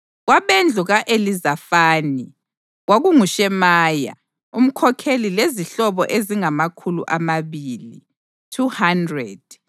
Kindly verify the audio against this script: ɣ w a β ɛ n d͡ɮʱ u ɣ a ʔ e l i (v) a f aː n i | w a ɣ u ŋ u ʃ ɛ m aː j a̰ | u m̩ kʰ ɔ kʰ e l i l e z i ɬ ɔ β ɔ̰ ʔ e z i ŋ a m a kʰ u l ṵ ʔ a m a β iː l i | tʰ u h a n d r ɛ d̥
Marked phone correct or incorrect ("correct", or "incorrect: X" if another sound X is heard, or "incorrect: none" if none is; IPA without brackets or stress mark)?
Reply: incorrect: z